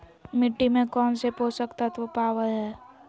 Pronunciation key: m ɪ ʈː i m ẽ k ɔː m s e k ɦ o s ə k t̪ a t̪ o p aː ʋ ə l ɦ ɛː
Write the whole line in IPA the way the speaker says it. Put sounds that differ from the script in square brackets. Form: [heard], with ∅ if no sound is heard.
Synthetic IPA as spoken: m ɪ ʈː i m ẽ k ɔː [n] s e [p] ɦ o s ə k t̪ a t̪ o p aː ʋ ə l ɦ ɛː